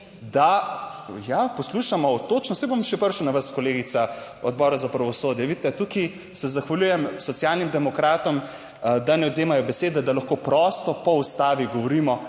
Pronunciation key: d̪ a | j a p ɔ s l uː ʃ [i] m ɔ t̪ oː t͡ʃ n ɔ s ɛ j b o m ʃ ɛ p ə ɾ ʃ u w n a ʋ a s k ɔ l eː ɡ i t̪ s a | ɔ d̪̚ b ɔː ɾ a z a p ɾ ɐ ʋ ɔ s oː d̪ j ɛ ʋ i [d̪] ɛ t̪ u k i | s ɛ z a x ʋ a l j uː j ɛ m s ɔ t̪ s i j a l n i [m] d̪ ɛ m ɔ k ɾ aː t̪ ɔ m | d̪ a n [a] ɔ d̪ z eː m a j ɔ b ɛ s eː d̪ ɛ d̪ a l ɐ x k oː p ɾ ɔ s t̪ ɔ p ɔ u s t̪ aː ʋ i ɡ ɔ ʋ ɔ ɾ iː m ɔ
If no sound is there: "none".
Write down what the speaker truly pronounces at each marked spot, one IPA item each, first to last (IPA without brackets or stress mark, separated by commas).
a, t̪, m, ɛ